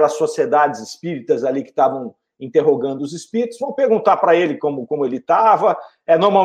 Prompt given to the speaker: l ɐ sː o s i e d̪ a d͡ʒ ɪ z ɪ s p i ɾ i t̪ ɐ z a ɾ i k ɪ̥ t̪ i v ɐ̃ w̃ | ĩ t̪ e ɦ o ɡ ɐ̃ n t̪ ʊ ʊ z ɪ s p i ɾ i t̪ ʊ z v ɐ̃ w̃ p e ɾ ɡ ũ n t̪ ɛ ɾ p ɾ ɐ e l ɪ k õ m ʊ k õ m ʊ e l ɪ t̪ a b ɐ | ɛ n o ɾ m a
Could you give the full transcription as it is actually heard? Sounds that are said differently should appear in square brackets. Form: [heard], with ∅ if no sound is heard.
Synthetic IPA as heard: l ɐ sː o s i e d̪ a d͡ʒ ɪ z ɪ s p i ɾ i t̪ ɐ z a [l] i k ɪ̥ t̪ [a] v ɐ̃ w̃ | ĩ t̪ e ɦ o ɡ ɐ̃ n [d̪] ʊ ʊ z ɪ s p i ɾ i t̪ ʊ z v ɐ̃ w̃ p e ɾ ɡ ũ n t̪ [a] ɾ p ɾ ɐ e l ɪ k õ m ʊ k õ m ʊ e l ɪ t̪ a [v] ɐ | ɛ n o ɾ m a